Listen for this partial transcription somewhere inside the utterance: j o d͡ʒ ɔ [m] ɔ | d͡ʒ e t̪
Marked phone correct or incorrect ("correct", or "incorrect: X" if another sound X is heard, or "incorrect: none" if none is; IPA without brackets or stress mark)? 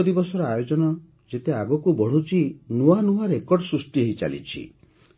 incorrect: n